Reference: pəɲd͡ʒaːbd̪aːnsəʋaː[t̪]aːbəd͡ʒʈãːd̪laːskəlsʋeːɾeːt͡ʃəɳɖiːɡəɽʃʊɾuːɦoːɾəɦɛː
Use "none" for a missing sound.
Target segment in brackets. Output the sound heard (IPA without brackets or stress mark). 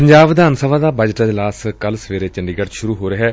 d̪